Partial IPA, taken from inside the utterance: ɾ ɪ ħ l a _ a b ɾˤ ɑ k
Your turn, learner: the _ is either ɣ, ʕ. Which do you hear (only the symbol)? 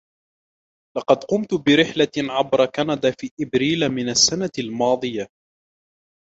ʕ